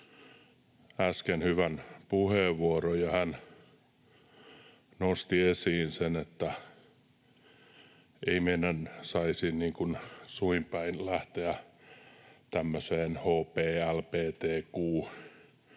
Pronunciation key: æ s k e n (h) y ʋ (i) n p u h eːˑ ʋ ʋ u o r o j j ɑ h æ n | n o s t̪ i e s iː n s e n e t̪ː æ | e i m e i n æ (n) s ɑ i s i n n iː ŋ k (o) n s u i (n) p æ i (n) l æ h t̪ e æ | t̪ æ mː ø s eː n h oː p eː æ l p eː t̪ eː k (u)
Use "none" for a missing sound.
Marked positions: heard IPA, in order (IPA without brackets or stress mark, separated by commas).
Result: h, æ, n, u, m, n, uː